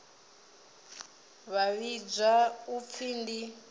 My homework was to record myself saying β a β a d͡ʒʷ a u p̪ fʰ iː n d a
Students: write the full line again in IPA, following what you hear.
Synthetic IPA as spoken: β a β i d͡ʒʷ a u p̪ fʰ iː n d i